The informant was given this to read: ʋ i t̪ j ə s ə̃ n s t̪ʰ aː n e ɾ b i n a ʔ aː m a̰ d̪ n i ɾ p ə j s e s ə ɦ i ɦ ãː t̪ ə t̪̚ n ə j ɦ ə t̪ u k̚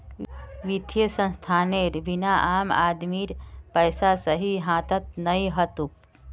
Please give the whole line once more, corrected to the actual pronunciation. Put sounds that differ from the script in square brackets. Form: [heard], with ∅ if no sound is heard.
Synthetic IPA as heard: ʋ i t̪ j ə s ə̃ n s t̪ʰ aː n e ɾ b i n a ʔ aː m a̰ d̪ [m] i ɾ p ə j s [a] s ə ɦ i ɦ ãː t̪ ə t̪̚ n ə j ɦ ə t̪ u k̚

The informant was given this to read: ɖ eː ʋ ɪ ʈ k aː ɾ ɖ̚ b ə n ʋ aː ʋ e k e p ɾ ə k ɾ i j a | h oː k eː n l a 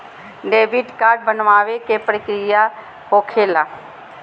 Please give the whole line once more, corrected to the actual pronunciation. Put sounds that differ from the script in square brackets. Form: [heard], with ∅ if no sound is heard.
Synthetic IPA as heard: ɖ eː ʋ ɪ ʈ k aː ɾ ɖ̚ b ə n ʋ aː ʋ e k e p ɾ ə k ɾ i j a | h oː [kʰ] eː [∅] l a

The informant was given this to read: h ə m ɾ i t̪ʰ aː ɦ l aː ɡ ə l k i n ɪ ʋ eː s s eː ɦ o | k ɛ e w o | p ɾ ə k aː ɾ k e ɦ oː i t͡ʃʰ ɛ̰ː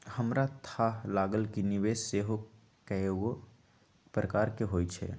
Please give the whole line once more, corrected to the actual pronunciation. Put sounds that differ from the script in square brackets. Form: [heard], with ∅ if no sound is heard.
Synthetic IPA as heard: h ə m ɾ [a] t̪ʰ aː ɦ l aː ɡ ə l k i n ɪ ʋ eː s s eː ɦ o | k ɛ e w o | p ɾ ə k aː ɾ k e ɦ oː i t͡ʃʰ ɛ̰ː

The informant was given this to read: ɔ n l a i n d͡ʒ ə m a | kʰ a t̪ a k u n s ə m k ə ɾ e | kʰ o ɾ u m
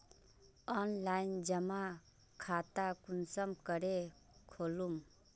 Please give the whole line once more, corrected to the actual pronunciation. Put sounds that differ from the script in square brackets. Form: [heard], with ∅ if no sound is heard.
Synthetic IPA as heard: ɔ n l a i n d͡ʒ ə m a | kʰ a t̪ a k u n s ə m k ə ɾ e | kʰ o [l] u m

